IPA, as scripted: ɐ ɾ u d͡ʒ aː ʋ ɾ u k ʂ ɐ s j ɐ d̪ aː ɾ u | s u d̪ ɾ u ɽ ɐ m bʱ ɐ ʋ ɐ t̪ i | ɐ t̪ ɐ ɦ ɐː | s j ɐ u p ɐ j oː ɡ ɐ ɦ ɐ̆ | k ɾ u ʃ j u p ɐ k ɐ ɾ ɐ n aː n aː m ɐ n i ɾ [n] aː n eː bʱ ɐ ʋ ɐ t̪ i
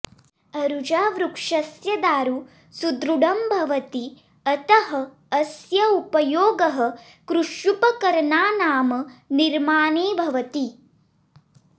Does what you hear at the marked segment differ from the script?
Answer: yes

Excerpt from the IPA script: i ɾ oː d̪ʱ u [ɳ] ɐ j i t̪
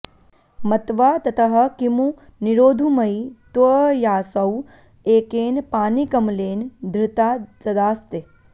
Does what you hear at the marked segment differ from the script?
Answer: yes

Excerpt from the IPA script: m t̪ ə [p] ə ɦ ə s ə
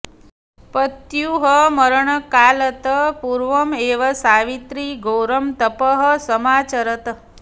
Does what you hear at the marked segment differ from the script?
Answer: no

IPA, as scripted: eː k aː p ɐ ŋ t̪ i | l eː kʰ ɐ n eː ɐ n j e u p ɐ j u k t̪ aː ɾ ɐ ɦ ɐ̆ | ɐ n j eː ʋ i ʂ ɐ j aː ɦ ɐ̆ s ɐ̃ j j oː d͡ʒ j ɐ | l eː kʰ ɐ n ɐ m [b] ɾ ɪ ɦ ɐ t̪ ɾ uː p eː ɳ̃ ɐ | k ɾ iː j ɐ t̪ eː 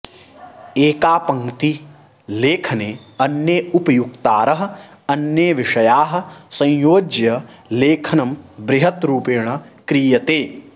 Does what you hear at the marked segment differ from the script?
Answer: no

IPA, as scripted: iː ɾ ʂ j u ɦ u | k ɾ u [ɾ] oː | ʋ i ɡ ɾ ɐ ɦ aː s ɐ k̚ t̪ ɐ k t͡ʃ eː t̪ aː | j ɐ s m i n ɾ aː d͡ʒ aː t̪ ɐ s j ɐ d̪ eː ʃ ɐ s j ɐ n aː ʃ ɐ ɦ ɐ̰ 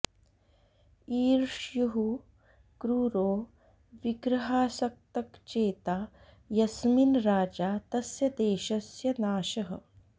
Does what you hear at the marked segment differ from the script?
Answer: no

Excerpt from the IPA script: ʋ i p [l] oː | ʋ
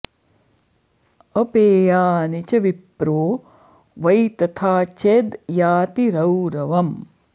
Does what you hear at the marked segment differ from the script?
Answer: yes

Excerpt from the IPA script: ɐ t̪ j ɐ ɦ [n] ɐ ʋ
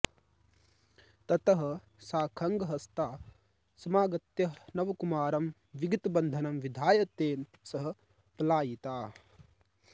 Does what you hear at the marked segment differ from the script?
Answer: no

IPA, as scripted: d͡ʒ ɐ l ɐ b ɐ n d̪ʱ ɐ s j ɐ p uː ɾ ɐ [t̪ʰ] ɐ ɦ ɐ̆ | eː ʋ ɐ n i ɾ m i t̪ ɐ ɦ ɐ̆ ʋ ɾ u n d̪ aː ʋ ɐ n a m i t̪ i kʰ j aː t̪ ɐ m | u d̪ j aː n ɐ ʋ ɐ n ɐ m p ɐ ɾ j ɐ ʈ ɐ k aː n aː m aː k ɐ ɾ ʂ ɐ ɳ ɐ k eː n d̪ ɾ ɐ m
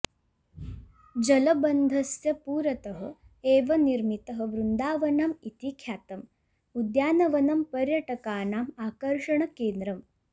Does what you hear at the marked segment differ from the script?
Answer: yes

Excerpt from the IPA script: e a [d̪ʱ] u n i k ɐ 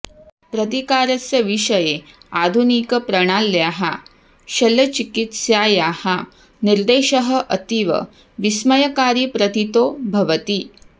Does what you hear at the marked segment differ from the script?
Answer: no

